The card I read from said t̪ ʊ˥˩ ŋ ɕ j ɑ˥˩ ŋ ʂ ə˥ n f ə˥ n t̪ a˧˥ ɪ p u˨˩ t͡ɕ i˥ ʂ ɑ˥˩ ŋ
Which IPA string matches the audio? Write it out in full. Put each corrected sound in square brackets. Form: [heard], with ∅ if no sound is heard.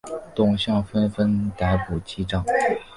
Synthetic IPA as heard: t̪ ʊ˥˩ ŋ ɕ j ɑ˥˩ ŋ [f] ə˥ n f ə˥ n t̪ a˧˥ ɪ p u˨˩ t͡ɕ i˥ [ʈ͡ʂ] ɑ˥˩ ŋ